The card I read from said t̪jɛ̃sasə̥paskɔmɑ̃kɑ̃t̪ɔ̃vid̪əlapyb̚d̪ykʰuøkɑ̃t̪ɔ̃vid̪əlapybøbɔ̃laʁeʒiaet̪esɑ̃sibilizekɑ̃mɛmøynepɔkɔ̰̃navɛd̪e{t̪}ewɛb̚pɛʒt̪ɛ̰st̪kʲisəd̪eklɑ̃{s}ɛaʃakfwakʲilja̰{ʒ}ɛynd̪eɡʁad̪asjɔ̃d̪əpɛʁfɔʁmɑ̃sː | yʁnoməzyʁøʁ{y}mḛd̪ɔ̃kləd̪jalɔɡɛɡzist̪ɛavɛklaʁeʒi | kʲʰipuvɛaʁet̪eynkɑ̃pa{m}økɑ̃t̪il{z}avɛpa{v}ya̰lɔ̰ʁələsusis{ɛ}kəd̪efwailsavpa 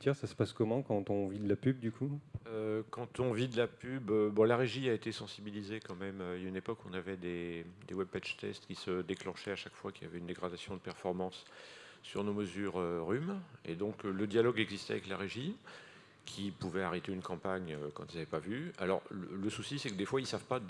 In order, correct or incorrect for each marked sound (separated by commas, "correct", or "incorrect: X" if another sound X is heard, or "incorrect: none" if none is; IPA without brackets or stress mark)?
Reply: incorrect: d̪, incorrect: ʃ, incorrect: v, correct, incorrect: ɲ, correct, correct, correct